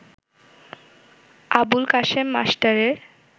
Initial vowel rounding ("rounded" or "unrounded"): unrounded